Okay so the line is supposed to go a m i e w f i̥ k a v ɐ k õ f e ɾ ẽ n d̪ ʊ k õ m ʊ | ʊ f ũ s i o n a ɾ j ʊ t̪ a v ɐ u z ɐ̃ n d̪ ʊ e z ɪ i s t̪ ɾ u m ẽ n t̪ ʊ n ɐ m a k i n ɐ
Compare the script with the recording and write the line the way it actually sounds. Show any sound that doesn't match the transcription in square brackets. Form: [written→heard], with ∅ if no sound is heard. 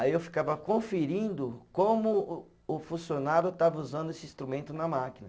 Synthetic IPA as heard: a [m→∅] i e w f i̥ k a v ɐ k õ f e ɾ [ẽ→ĩ] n d̪ ʊ k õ m ʊ | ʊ f ũ s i o n a ɾ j ʊ t̪ a v ɐ u z ɐ̃ n d̪ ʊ e [z→s] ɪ [i→ĩ] s t̪ ɾ u m ẽ n t̪ ʊ n ɐ m a k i n ɐ